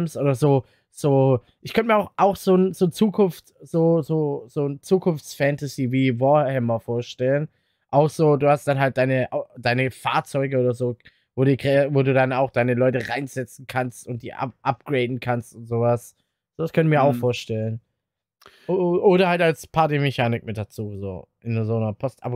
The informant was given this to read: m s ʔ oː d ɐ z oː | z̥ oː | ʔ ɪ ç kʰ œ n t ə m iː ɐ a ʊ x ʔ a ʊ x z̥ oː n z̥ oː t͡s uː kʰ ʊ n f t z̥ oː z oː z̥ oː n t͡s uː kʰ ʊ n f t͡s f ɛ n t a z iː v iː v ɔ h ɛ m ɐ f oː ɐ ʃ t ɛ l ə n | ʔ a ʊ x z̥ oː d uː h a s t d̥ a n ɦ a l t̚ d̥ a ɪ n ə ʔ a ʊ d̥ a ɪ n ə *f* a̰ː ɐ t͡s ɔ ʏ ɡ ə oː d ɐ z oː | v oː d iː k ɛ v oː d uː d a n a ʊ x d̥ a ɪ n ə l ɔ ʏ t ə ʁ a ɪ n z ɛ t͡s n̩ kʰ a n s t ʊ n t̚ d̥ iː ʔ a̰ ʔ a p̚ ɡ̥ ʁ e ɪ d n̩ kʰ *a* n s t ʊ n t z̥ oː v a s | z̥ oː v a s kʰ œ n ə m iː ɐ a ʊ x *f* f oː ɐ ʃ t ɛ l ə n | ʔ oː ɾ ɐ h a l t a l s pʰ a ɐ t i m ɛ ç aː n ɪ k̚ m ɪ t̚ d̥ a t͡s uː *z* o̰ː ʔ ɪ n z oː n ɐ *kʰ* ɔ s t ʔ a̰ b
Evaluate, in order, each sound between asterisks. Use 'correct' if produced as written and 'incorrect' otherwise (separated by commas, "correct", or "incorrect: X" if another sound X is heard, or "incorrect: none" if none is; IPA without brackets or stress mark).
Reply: correct, correct, correct, correct, incorrect: pʰ